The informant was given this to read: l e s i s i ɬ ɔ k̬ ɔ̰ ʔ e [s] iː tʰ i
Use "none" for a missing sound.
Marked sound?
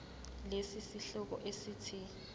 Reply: s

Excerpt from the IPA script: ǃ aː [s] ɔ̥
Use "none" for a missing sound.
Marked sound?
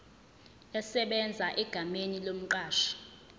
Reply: ʃ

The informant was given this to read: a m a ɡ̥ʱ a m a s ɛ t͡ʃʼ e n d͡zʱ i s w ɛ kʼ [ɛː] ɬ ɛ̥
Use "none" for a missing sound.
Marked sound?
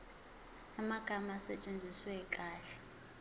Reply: aː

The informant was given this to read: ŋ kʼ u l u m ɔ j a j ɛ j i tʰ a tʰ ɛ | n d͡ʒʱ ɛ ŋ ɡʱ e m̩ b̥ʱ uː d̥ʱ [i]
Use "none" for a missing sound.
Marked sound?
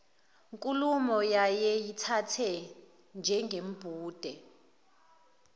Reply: ɛ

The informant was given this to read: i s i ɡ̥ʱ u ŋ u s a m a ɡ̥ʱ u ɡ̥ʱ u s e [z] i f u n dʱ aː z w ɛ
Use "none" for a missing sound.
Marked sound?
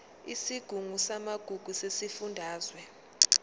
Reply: s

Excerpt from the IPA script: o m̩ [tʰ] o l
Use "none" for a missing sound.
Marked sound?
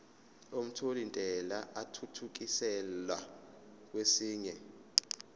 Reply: tʰ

